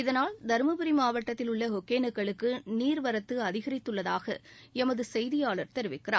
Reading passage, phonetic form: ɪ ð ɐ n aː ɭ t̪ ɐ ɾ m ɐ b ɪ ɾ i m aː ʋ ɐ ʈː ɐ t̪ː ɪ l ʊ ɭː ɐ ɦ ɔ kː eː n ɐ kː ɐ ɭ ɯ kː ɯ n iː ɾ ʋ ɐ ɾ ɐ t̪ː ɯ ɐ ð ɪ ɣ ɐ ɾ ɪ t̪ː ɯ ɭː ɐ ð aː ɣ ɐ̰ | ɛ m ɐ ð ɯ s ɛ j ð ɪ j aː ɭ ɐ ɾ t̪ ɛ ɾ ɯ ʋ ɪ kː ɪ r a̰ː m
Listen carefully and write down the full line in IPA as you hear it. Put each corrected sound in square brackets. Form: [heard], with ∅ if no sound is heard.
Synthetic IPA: ɪ ð ɐ n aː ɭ [d̪] ɐ ɾ m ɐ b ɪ ɾ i m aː ʋ ɐ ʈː ɐ t̪ː ɪ l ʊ ɭː ɐ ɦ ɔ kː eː n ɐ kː ɐ ɭ ɯ kː ɯ n iː ɾ ʋ ɐ ɾ ɐ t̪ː ɯ ɐ ð ɪ ɣ ɐ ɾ ɪ t̪ː ɯ ɭː ɐ ð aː ɣ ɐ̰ | ɛ m ɐ ð ɯ s ɛ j ð ɪ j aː ɭ ɐ ɾ t̪ ɛ ɾ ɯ ʋ ɪ kː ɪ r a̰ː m